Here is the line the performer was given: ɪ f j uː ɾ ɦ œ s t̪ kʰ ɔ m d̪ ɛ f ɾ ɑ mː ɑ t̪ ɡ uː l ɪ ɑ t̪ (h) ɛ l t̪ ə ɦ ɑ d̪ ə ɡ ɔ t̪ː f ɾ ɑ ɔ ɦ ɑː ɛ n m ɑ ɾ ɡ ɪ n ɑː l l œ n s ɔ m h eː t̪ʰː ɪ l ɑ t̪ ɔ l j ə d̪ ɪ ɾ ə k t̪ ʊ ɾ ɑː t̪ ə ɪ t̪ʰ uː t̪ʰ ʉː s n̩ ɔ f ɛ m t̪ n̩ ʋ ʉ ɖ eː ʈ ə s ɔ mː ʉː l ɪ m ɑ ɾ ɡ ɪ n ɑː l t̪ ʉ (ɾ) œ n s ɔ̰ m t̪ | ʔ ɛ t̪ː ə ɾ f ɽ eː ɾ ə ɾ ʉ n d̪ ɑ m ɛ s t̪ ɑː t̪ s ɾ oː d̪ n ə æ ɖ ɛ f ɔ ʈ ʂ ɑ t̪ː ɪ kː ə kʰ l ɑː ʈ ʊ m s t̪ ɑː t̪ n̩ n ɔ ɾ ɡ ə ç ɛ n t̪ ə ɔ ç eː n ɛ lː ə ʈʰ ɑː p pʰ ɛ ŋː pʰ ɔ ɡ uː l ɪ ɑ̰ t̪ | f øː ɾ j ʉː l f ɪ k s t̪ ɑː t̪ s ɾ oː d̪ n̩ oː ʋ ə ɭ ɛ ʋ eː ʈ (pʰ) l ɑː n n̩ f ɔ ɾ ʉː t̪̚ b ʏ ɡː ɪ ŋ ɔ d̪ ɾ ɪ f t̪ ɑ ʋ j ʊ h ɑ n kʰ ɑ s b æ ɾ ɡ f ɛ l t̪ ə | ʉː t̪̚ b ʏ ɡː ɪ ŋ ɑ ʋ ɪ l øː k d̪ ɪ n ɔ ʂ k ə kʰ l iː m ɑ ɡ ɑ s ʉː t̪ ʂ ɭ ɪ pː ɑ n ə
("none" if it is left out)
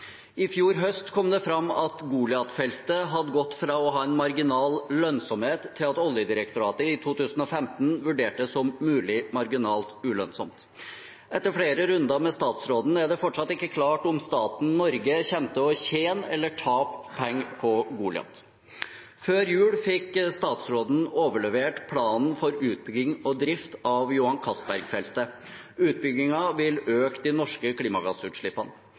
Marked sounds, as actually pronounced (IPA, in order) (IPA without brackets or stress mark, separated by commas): f, l, pʰ